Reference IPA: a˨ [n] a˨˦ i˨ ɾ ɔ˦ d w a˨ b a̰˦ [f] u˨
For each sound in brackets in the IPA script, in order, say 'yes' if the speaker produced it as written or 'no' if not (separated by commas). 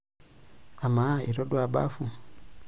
no, yes